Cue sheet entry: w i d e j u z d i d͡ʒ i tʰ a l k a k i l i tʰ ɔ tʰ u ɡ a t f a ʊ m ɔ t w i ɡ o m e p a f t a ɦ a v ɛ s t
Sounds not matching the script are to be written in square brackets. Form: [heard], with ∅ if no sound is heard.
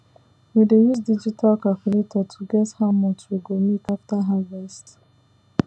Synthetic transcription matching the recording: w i d e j u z d i d͡ʒ i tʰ a l k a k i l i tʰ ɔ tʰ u ɡ [ɛ] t [h] a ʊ m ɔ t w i ɡ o m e [k] a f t a ɦ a v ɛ s t